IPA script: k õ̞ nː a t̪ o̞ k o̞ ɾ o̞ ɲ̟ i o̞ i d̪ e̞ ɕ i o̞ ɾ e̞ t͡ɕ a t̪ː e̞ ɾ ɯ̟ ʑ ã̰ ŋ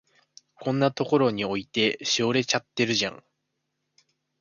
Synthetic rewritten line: k õ̞ nː a t̪ o̞ k o̞ ɾ o̞ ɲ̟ i o̞ i t̪ e̞ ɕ i o̞ ɾ e̞ t͡ɕ a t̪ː e̞ ɾ ɯ̟ ʑ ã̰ ŋ